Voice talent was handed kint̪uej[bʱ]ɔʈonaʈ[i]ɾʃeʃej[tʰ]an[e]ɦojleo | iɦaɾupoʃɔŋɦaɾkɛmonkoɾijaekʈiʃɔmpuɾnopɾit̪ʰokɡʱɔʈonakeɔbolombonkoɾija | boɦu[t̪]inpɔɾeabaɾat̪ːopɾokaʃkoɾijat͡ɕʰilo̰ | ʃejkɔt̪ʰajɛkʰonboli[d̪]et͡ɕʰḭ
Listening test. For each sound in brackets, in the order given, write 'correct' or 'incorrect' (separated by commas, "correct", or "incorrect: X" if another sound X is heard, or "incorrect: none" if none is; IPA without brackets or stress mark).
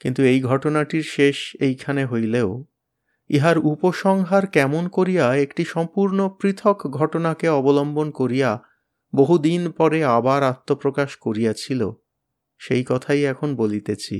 incorrect: ɡʱ, correct, incorrect: kʰ, correct, incorrect: d̪, incorrect: t̪